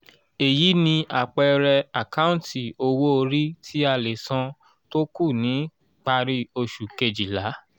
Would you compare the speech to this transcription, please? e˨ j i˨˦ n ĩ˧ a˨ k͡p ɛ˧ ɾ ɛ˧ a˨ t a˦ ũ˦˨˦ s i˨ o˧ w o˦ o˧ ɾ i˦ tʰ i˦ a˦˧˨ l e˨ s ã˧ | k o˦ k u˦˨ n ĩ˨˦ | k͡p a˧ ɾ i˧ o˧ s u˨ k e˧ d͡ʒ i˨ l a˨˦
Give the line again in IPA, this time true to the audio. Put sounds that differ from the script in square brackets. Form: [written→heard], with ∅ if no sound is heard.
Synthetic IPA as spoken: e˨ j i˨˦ n ĩ˧ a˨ k͡p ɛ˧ ɾ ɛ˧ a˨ [t→k] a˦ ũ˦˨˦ [s→t] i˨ o˧ w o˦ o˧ ɾ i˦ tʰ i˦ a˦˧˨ l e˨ s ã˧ | [k→t] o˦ k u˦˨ n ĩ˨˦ | k͡p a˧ ɾ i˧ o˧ [s→ʃ] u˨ k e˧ d͡ʒ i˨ l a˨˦